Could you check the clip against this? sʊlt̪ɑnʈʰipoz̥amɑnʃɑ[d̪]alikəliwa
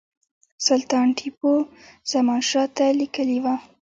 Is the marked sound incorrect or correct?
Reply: incorrect